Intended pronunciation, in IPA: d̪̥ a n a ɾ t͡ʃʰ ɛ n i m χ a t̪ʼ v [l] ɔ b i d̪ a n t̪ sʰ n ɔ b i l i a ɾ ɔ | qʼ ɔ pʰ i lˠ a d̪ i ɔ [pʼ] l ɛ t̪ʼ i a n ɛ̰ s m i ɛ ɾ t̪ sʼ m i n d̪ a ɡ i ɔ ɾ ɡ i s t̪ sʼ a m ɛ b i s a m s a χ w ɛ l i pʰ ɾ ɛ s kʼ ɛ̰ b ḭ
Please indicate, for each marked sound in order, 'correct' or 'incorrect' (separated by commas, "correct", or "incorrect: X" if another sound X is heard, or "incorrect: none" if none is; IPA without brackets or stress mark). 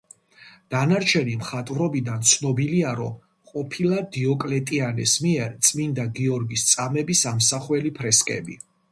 incorrect: ɾ, incorrect: kʼ